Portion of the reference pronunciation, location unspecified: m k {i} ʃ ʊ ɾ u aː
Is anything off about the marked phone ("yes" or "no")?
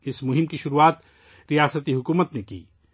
no